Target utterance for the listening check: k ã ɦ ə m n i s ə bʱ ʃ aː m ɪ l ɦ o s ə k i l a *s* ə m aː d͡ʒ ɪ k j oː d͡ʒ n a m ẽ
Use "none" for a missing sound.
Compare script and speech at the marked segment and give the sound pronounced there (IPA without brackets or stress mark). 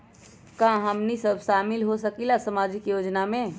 s